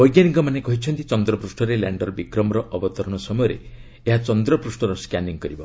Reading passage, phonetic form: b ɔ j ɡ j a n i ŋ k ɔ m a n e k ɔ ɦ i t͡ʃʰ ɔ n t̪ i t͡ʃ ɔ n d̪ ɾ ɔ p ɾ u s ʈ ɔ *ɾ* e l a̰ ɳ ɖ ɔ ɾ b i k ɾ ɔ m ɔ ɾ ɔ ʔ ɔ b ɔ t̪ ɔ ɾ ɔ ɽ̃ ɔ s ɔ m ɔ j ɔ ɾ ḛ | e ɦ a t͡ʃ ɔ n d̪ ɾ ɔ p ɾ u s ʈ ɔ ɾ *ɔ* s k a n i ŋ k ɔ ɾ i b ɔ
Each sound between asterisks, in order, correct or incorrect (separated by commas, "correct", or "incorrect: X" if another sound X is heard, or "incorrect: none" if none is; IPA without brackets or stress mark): correct, correct